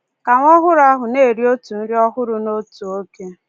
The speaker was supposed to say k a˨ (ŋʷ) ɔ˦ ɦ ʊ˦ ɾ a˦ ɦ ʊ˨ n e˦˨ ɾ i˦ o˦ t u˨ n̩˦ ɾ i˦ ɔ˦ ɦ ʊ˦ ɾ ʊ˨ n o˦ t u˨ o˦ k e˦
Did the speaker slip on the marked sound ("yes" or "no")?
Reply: no